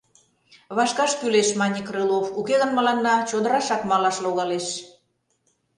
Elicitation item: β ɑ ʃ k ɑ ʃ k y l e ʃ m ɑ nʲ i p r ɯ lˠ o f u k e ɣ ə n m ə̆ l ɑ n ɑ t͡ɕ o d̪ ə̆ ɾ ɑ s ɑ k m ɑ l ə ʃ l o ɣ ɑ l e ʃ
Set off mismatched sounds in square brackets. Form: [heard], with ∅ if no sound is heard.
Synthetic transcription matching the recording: β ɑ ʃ k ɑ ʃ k y l e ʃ m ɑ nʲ i [k] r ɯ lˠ o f u k e ɣ ə n m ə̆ l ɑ [nː] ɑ t͡ɕ o d̪ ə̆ ɾ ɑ [ʃ] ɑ k m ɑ l [ɑ] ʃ l o ɣ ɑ l e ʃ